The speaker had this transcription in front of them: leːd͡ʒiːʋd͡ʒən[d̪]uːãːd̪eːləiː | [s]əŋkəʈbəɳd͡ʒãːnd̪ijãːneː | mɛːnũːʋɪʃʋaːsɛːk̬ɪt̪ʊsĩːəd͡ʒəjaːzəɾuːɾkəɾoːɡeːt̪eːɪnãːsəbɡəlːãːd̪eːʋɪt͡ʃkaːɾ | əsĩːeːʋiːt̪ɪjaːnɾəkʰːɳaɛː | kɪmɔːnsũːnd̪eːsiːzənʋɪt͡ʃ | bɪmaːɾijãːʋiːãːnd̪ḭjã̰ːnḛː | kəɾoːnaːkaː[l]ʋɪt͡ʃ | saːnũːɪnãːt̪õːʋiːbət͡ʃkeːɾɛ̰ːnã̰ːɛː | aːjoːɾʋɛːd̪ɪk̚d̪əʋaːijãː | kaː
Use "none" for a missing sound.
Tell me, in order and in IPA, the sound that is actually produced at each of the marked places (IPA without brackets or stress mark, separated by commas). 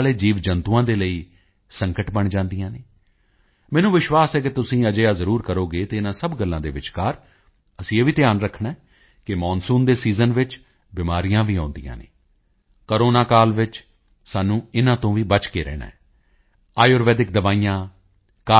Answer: t̪, s, l